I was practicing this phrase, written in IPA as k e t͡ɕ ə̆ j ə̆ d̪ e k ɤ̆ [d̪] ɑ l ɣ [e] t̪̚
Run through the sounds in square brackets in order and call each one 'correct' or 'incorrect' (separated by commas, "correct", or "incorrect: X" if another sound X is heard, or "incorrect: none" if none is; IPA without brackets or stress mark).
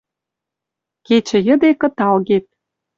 incorrect: t̪, correct